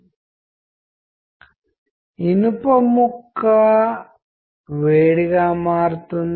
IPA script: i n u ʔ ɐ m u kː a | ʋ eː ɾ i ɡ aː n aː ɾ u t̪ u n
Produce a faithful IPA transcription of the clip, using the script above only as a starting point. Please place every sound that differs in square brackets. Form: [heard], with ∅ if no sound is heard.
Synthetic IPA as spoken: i n u [p] ɐ m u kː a | ʋ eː [ɽ] i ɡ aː [m] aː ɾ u t̪ u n